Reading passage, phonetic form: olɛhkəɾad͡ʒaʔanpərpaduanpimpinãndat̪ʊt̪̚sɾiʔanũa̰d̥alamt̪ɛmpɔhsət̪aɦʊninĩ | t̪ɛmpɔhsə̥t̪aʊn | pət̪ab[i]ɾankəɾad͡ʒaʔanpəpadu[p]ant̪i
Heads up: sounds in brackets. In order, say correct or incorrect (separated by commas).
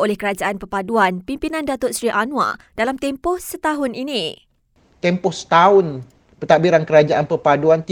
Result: correct, incorrect